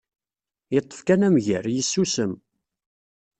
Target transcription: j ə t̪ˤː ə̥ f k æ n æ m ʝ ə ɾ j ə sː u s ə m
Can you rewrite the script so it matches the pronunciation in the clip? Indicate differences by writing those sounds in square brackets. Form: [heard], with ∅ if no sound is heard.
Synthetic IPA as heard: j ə t̪ˤː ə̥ f k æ n æ m ʝ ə ɾ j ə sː u s ə m